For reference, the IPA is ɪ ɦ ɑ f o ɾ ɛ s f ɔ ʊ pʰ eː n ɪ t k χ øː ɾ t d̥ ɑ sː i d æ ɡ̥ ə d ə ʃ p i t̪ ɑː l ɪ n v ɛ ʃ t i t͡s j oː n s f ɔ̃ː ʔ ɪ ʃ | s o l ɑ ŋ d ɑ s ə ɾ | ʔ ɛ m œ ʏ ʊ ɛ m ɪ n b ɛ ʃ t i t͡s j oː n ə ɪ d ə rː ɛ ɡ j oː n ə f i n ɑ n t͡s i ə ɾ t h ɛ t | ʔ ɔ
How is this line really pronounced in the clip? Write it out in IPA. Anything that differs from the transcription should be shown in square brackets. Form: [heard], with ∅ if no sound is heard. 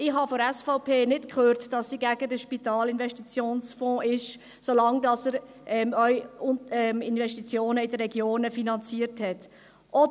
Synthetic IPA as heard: ɪ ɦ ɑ f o ɾ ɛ s f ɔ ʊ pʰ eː n ɪ t k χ øː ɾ t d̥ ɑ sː i [ɡ] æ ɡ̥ ə d ə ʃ p i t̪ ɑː l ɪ n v ɛ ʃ t i t͡s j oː n s f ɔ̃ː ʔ ɪ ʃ | s o l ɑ ŋ d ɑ s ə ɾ | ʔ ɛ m œ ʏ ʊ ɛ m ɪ n [v] ɛ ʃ t i t͡s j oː n ə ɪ d ə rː ɛ ɡ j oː n ə f i n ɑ n t͡s i ə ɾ t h ɛ t | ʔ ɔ